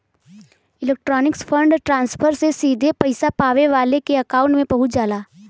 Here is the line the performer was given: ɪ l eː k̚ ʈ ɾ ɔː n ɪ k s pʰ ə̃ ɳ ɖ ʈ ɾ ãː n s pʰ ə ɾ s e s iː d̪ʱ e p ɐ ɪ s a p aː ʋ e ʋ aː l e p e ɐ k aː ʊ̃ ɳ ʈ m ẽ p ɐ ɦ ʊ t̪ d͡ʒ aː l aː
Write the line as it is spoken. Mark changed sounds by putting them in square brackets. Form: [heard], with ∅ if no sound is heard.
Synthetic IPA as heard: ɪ l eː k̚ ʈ ɾ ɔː n ɪ k s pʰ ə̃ ɳ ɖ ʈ ɾ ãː n s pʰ ə ɾ s e s iː d̪ʱ e p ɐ ɪ s a p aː ʋ e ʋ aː l e [k] e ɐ k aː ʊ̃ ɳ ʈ m ẽ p ɐ ɦ ʊ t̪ d͡ʒ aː l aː